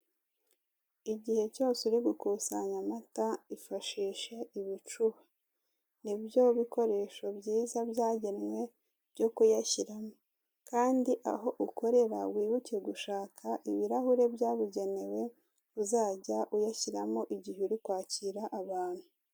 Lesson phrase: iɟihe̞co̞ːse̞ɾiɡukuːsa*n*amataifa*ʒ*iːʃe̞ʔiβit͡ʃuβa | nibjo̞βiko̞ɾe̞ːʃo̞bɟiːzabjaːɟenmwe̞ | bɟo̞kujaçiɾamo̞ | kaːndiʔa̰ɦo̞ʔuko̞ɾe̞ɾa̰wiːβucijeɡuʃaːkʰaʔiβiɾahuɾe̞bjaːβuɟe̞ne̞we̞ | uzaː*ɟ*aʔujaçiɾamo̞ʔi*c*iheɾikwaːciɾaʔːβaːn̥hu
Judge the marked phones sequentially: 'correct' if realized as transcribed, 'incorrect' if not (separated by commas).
incorrect, incorrect, correct, incorrect